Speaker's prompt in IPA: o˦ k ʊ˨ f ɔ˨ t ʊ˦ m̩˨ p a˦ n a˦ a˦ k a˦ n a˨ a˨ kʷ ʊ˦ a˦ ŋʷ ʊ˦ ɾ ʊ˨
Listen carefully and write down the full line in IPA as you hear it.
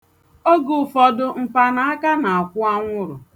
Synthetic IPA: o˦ ɡ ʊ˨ f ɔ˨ d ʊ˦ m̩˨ p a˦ n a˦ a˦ k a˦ n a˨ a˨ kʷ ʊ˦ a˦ ŋʷ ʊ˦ ɾ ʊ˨